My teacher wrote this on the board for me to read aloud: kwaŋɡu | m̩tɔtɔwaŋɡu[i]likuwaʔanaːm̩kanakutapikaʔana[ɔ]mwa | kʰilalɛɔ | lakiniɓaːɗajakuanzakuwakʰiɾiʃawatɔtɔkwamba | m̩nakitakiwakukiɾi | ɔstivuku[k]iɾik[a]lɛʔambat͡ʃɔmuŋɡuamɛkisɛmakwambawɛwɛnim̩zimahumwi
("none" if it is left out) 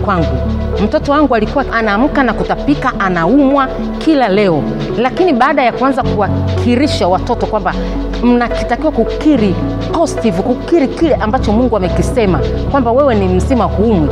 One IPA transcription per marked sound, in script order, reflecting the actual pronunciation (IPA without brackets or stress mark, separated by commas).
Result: a, u, k, i